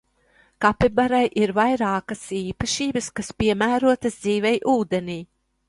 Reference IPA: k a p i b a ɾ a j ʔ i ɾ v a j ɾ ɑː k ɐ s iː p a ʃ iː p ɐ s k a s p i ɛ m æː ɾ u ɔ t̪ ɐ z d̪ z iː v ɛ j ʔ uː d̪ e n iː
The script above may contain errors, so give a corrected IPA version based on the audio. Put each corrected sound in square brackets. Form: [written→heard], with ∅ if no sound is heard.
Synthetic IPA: k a p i b a ɾ a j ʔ i ɾ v a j ɾ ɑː k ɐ s iː p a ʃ iː [p→b] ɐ s k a s p i ɛ m æː ɾ u ɔ t̪ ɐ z d̪ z iː v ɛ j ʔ uː d̪ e n iː